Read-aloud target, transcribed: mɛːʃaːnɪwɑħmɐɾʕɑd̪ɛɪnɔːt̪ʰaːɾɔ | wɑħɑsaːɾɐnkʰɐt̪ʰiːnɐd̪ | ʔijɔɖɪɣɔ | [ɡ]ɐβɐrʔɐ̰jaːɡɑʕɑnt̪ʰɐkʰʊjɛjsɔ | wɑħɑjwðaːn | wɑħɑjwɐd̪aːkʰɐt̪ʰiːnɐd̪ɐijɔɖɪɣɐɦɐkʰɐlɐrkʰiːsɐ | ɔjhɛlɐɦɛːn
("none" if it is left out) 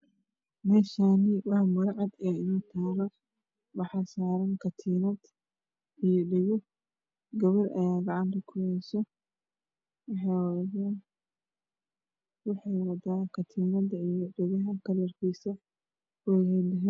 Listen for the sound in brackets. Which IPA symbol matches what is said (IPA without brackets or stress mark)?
ɡ